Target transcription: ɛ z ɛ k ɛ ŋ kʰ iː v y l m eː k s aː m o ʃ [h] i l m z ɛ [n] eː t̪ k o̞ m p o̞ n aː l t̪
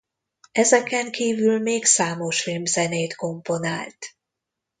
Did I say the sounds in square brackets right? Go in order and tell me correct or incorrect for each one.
incorrect, correct

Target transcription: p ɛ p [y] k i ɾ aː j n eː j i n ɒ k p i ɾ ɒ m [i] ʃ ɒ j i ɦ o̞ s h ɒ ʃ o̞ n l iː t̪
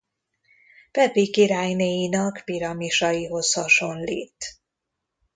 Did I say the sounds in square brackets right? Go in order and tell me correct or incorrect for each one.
incorrect, correct

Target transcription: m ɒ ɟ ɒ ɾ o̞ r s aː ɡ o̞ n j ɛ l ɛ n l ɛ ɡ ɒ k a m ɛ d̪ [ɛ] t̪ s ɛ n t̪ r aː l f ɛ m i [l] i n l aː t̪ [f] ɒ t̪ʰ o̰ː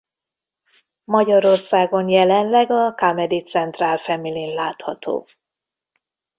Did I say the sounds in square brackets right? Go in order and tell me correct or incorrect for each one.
incorrect, correct, incorrect

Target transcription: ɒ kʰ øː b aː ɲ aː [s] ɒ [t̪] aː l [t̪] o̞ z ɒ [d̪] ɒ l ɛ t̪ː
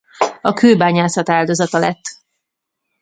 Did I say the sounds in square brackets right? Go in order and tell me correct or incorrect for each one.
correct, correct, incorrect, incorrect

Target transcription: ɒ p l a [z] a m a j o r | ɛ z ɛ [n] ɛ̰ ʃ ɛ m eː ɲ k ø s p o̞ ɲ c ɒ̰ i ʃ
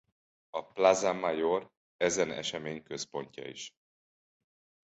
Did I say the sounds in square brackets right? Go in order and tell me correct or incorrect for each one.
correct, correct

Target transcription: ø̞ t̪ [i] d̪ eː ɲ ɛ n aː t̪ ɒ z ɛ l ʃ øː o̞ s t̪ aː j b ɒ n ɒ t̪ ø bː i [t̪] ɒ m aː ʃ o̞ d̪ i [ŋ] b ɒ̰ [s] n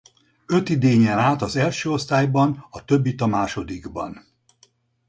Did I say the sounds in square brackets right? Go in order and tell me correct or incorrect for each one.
correct, correct, incorrect, incorrect

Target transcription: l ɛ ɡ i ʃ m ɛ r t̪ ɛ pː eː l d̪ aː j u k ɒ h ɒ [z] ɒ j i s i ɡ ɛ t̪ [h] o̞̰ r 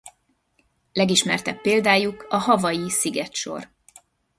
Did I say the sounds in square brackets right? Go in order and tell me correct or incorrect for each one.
incorrect, incorrect

